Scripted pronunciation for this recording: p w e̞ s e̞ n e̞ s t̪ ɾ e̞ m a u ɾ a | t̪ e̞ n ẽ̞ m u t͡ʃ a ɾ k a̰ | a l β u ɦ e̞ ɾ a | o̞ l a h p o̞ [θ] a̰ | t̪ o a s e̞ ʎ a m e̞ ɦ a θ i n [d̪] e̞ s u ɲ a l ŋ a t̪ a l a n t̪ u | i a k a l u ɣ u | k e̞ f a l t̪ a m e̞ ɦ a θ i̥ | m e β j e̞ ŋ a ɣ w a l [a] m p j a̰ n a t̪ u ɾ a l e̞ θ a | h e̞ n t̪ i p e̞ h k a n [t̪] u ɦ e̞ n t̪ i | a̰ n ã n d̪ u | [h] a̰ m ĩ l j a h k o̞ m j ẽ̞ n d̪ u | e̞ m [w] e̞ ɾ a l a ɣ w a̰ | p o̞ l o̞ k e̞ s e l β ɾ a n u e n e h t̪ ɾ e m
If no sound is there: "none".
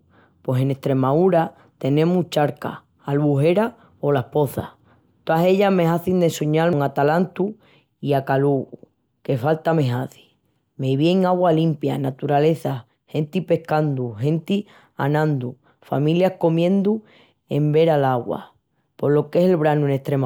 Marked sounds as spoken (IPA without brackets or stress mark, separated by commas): θ, d̪, i, d̪, f, b